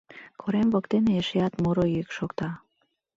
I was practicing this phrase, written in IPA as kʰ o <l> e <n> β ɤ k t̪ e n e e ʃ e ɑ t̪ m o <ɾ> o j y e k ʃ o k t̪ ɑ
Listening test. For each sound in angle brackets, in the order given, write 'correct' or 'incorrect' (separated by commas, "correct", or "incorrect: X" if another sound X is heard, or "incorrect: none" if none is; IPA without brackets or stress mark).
incorrect: ɾ, incorrect: m, correct